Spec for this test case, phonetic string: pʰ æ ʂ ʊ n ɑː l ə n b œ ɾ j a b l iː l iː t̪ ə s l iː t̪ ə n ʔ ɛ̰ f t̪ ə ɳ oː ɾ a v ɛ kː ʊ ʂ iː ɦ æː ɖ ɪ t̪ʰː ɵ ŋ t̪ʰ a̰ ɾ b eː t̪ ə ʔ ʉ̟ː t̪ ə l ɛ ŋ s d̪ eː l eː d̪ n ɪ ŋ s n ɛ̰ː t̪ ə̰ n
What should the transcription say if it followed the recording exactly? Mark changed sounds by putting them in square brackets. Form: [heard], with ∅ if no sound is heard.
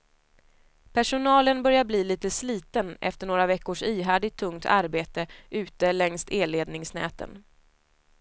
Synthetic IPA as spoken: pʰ æ ʂ ʊ n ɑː l ə n b œ ɾ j a b l iː l iː t̪ ə s l iː t̪ ə n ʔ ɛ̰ f t̪ ə ɳ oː ɾ a v ɛ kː ʊ ʂ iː ɦ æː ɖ ɪ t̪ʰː ɵ ŋ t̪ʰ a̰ ɾ b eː t̪ ə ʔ ʉ̟ː t̪ ə l ɛ ŋ s [t̪] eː l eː d̪ n ɪ ŋ s n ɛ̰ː t̪ ə̰ n